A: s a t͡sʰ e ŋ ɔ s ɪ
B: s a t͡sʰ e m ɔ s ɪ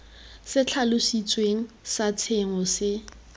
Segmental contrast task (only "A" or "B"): A